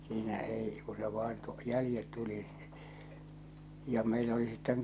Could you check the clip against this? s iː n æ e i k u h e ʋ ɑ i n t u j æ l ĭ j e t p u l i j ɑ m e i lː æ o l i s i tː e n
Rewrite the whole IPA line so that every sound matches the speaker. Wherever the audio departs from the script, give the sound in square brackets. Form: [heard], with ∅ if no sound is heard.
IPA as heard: s iː n æ e i k u [s] e ʋ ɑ i n t u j æ l ĭ j e t [t] u l i j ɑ m e i [l] æ o l i s i tː e [ŋ]